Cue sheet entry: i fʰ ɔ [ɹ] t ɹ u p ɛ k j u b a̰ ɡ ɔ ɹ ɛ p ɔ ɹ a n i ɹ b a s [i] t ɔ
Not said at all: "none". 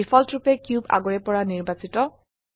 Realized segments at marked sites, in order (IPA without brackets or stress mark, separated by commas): l, i